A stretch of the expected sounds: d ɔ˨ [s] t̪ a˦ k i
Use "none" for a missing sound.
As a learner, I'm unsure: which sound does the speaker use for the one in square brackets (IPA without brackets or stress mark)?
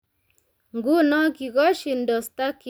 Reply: s